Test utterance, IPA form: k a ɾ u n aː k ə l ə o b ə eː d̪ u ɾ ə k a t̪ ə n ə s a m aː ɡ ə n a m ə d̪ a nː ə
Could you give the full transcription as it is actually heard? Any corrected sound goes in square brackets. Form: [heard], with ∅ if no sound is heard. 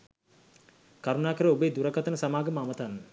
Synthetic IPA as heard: k a ɾ u n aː k ə [ɾ] ə o b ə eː d̪ u ɾ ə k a t̪ ə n ə s a m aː ɡ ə [m] a m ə [t̪] a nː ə